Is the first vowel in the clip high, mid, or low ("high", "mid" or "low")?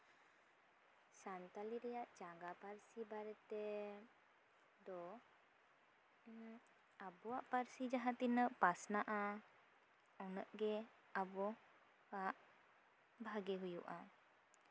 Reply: low